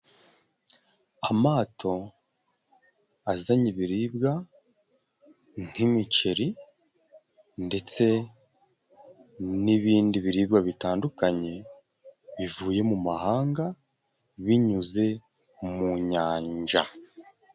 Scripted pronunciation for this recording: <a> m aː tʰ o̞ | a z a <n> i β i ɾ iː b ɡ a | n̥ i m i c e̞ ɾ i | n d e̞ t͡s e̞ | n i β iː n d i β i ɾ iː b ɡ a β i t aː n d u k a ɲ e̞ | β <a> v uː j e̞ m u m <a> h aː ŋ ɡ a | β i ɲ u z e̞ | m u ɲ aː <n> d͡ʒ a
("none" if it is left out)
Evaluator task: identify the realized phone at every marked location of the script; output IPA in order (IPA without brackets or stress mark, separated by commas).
a, ɲ, i, a, ɲ